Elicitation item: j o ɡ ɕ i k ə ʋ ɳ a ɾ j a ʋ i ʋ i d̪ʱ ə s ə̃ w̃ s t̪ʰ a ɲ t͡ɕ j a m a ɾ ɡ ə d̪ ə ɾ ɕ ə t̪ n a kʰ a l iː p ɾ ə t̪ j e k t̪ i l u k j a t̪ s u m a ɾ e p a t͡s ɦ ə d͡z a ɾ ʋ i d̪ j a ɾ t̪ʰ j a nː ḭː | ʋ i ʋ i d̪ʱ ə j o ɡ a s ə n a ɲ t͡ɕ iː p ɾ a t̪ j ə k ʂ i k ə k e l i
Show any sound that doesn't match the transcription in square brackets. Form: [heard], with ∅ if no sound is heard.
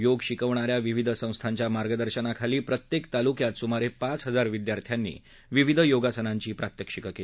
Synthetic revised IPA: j o ɡ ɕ i k ə ʋ ɳ a ɾ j a ʋ i ʋ i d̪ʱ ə s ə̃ w̃ s t̪ʰ a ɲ t͡ɕ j a m a ɾ ɡ ə d̪ ə ɾ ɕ ə [∅] n a kʰ a l iː p ɾ ə t̪ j e k t̪ [a] l u k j a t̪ s u m a ɾ e p a t͡s ɦ ə d͡z a ɾ ʋ i d̪ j a ɾ t̪ʰ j a nː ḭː | ʋ i ʋ i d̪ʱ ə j o ɡ a s ə n a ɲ t͡ɕ iː p ɾ a t̪ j ə k ʂ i k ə k e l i